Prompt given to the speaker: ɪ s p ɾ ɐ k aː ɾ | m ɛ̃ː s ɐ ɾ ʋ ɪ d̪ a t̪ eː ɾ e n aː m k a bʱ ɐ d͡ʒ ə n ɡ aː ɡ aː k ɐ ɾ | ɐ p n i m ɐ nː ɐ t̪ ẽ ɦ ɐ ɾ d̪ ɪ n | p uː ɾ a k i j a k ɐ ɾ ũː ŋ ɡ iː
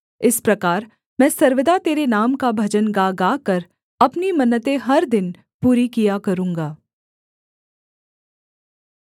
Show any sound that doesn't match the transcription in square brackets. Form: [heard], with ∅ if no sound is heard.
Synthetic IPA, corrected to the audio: ɪ s p ɾ ɐ k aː ɾ | m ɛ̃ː s ɐ ɾ ʋ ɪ d̪ a t̪ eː ɾ e n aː m k a bʱ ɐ d͡ʒ ə n ɡ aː ɡ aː k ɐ ɾ | ɐ p n i m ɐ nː [ə] t̪ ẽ ɦ ɐ ɾ d̪ ɪ n | p uː ɾ [i] k i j a k ɐ ɾ ũː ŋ ɡ [aː]